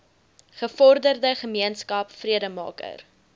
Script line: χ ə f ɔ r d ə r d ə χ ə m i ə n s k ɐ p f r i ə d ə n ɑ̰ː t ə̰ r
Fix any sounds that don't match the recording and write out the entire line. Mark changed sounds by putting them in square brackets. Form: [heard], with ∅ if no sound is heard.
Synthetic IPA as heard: χ ə f ɔ r d ə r d ə χ ə m i ə n s k ɐ p f r i ə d ə [m] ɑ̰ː [k] ə̰ r